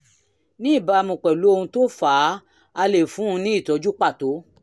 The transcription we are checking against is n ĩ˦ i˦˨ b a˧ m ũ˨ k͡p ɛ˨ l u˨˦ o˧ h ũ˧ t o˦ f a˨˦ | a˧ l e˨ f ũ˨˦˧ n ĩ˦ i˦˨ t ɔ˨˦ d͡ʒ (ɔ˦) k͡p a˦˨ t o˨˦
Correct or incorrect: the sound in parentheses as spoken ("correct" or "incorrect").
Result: incorrect